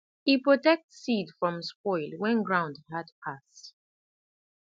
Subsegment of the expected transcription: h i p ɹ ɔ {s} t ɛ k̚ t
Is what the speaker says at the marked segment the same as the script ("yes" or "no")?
no